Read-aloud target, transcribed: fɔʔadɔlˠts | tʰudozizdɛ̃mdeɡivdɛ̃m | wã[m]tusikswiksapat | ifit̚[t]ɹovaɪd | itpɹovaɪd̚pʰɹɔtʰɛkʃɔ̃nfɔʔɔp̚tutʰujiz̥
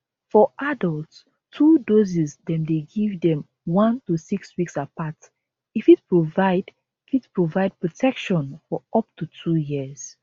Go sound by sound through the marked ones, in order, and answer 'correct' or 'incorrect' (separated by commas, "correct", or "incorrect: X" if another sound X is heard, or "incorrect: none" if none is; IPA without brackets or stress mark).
incorrect: n, incorrect: p